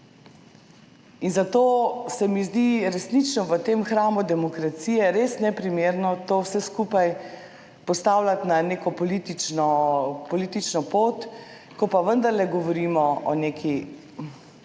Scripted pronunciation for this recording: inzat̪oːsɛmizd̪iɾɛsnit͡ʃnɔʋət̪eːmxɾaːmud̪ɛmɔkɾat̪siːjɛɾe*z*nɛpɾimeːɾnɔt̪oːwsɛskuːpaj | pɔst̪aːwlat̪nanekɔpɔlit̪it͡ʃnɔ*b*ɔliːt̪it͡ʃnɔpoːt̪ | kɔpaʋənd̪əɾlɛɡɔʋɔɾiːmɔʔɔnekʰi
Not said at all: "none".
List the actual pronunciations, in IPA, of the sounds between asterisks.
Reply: s, p

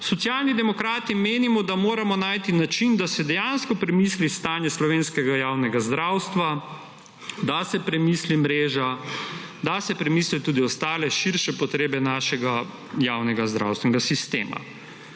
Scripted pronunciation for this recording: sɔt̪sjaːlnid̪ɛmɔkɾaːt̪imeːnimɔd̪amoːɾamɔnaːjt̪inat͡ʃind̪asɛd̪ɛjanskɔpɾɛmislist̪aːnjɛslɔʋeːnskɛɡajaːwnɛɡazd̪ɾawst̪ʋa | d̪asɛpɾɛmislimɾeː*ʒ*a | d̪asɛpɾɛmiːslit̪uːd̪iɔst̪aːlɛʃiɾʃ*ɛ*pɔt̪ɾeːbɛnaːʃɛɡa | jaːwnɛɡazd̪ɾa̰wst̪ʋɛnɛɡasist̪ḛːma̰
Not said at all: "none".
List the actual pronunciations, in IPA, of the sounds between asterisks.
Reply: ʒ, ɛ

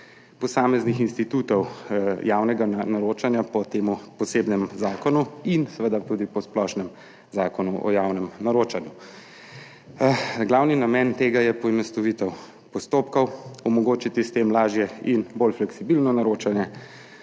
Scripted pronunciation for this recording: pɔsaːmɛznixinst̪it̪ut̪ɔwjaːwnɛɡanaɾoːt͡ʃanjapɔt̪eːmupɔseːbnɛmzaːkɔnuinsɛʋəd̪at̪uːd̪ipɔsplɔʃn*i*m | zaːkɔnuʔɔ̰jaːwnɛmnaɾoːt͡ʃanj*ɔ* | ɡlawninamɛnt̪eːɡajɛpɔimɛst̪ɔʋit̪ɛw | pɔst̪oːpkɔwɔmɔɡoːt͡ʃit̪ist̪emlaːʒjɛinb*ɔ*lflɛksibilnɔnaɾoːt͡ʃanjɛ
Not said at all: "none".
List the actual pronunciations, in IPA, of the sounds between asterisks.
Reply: ɛ, u, o

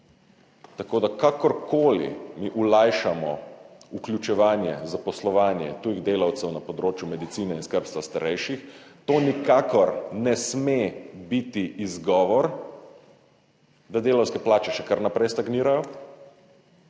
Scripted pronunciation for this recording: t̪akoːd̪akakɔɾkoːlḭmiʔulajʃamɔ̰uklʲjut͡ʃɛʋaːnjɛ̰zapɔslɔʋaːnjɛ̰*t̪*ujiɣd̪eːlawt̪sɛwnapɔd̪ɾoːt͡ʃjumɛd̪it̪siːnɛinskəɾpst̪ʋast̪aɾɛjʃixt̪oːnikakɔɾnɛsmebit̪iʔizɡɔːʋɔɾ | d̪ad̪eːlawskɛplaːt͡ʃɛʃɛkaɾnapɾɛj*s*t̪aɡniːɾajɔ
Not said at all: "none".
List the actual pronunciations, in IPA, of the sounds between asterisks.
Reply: t̪, s

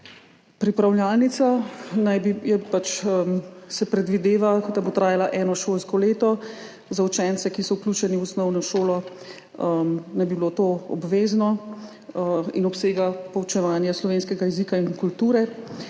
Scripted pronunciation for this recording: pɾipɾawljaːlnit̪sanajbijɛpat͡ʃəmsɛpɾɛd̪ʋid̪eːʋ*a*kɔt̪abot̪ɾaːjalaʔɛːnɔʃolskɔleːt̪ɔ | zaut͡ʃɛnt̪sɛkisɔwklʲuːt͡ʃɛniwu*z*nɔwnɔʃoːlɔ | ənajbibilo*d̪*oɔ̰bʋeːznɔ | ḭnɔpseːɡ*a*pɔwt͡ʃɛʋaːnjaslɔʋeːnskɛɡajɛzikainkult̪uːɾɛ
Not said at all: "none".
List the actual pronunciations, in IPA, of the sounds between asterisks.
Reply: a, s, t̪, a

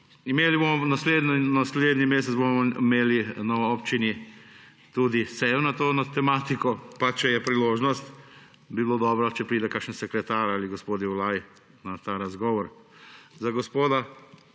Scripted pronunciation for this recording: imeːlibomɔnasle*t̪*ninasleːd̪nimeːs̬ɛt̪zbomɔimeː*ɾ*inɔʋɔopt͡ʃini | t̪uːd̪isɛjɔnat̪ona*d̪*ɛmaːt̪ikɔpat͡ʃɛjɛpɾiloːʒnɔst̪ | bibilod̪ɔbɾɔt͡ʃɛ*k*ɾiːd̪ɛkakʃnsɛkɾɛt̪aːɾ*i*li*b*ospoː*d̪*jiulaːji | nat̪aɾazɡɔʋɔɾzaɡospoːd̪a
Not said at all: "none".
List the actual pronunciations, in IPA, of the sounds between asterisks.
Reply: d̪, l, t̪, p, a, ɡ, d̪

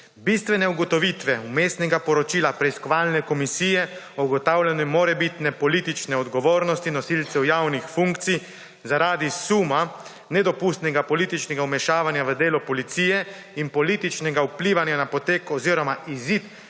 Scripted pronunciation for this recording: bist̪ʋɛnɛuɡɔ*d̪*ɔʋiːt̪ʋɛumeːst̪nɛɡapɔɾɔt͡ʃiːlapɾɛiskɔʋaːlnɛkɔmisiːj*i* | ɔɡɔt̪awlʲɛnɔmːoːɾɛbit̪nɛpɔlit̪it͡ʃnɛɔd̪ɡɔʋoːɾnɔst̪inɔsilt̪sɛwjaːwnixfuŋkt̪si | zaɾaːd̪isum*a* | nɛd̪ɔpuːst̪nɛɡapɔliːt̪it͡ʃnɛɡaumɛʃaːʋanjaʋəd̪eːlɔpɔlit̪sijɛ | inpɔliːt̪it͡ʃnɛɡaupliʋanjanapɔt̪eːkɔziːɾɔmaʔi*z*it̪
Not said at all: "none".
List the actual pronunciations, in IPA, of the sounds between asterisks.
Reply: t̪, ɛ, a, z

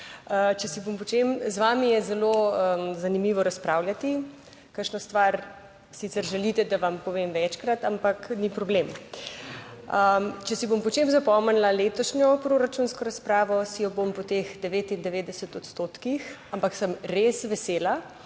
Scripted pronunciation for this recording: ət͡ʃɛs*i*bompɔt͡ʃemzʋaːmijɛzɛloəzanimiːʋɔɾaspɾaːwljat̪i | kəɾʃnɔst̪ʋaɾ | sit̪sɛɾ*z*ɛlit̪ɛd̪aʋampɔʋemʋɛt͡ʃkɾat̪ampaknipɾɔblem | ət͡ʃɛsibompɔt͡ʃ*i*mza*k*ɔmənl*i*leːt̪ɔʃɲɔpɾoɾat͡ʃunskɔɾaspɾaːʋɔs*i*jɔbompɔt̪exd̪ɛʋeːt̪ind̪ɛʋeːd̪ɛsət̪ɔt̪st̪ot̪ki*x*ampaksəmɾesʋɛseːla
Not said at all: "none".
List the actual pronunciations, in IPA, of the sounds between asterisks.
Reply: i, ʒ, e, p, a, i, x

